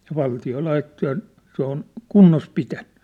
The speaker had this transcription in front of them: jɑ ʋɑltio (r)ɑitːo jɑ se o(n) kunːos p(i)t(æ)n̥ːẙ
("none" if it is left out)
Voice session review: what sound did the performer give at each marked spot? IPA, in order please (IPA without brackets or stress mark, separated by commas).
l, n, i, æ